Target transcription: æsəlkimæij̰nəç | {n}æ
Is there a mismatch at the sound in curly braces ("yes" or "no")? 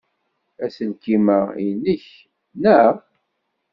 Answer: no